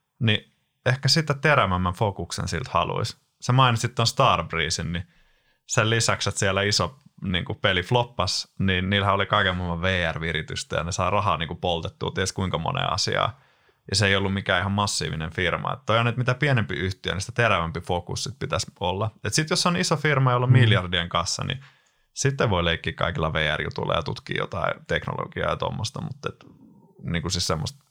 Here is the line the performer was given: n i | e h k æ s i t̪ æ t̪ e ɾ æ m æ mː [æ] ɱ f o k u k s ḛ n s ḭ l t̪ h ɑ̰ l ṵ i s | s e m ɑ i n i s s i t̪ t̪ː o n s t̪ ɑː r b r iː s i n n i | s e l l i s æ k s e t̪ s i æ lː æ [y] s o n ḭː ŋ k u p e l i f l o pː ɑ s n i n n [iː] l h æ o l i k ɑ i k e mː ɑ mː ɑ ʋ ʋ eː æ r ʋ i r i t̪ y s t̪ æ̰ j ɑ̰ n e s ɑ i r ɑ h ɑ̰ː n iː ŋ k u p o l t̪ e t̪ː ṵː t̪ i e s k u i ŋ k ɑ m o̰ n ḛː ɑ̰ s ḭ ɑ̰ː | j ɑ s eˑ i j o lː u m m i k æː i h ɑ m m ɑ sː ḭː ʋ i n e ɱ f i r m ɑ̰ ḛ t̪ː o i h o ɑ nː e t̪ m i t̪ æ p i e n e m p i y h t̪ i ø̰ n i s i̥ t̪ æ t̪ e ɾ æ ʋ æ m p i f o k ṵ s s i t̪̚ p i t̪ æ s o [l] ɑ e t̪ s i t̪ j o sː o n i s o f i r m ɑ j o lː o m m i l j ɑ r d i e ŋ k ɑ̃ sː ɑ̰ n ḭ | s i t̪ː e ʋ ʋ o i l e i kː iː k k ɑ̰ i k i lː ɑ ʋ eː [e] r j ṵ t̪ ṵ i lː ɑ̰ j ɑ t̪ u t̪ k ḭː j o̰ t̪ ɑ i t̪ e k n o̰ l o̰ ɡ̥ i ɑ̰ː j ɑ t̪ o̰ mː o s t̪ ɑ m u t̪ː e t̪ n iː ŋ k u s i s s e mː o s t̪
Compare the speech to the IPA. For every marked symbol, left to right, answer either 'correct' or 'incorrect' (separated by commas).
correct, incorrect, correct, incorrect, incorrect